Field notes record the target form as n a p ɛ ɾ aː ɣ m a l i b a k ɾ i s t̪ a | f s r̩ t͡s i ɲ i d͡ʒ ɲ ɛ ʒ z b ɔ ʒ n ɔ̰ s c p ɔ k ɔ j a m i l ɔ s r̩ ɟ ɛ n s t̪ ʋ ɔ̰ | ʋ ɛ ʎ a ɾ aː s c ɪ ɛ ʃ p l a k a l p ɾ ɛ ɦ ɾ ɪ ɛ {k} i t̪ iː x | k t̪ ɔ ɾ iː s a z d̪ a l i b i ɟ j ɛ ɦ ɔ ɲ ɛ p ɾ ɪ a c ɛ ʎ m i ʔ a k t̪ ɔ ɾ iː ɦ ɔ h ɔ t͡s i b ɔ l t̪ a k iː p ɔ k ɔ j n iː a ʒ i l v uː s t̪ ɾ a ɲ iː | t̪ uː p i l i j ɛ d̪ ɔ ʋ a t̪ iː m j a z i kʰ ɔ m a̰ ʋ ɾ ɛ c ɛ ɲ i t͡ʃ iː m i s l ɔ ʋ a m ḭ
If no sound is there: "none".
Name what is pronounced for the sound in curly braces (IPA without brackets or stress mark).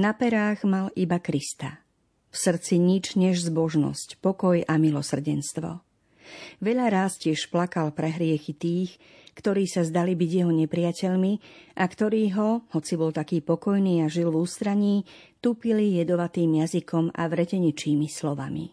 x